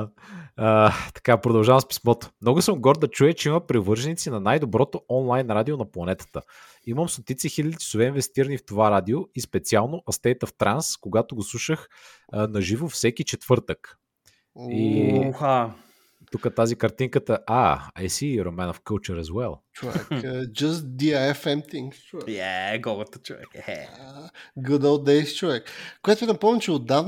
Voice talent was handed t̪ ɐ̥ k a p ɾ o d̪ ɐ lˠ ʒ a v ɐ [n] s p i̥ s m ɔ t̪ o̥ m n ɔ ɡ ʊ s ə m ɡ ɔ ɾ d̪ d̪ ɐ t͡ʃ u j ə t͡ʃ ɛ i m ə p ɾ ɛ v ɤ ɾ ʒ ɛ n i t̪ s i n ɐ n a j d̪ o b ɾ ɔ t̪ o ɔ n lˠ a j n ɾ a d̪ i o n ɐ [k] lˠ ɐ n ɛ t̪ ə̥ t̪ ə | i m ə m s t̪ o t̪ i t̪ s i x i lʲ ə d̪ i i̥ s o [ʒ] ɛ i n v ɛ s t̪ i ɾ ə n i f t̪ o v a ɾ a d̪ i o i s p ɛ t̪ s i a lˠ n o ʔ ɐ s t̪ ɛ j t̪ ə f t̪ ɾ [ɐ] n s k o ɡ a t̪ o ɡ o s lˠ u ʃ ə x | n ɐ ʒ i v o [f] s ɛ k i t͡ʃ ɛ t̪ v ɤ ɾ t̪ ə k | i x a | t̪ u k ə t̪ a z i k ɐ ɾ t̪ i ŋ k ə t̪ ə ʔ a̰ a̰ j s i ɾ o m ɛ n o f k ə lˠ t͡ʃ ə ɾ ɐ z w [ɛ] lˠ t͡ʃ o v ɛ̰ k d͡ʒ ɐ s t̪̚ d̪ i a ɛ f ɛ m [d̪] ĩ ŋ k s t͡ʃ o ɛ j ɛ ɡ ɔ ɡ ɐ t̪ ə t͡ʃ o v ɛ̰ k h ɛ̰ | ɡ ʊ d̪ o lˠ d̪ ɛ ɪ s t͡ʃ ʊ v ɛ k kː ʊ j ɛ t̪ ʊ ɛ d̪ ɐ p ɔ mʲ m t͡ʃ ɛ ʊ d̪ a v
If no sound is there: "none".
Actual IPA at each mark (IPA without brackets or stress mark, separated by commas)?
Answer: m, p, v, a, f, ɛ, t̪